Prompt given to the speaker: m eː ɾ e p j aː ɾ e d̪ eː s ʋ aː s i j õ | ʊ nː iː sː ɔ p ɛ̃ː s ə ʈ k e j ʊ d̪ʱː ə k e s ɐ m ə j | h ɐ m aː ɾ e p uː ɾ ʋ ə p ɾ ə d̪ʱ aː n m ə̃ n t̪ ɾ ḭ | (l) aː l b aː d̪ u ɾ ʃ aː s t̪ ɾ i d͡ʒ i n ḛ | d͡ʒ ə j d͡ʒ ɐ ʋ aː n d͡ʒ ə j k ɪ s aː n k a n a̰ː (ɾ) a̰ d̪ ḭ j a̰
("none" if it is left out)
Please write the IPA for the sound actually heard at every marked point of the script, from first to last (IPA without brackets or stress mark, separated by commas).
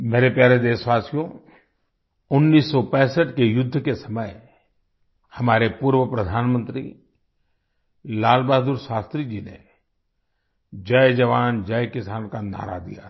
l, ɾ